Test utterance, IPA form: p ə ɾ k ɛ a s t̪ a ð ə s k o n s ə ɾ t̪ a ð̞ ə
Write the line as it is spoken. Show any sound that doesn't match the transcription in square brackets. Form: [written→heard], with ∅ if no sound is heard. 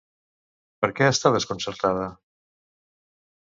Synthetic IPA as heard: p ə ɾ k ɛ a s t̪ a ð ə s k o n s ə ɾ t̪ a ð̞ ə